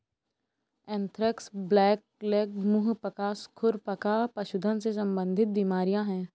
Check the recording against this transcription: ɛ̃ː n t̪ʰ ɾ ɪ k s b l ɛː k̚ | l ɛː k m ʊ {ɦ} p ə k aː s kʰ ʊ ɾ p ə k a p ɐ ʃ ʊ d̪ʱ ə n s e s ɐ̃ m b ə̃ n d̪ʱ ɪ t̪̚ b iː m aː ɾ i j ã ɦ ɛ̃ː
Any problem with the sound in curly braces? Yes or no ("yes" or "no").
no